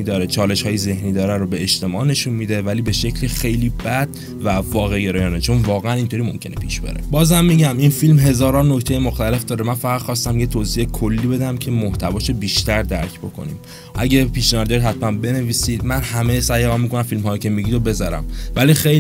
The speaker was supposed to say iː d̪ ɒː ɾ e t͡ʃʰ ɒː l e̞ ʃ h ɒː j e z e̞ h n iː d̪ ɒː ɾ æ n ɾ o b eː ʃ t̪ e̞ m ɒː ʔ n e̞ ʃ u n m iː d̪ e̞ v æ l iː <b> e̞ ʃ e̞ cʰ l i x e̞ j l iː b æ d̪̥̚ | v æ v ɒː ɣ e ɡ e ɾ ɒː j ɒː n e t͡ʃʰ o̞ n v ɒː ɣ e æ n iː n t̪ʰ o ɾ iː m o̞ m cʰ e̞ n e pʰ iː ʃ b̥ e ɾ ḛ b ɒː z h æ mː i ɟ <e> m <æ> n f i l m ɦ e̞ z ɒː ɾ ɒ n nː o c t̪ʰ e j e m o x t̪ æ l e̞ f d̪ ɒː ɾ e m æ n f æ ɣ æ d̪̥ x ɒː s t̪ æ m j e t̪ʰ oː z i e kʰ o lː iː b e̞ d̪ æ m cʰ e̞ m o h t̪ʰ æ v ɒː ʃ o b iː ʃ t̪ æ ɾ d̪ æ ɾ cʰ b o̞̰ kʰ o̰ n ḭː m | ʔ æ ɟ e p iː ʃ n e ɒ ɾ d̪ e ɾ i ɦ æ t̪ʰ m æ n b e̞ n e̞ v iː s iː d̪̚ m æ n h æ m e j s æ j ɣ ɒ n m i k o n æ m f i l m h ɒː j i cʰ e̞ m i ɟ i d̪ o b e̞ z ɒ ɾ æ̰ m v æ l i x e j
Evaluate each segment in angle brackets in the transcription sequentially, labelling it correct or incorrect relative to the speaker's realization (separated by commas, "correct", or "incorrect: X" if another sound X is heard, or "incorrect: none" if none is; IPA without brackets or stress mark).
correct, incorrect: æ, incorrect: i